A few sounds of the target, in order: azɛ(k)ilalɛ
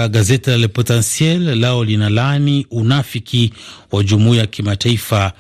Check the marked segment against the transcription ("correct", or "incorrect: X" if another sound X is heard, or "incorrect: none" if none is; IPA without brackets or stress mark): incorrect: t